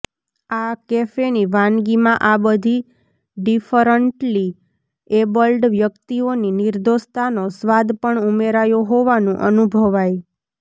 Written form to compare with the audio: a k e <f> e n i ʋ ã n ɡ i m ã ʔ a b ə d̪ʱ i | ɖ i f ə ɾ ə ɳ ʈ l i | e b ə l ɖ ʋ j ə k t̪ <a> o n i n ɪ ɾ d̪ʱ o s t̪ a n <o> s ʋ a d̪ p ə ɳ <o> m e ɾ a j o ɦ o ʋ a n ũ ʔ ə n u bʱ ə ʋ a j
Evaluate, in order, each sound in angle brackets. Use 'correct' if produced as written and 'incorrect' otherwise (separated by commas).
correct, incorrect, correct, incorrect